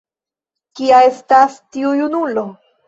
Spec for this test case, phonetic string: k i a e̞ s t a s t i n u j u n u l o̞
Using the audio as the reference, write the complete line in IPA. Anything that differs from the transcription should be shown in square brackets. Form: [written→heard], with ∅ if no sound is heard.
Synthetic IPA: k i a e̞ s t a s t i [n→∅] u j u n u l o̞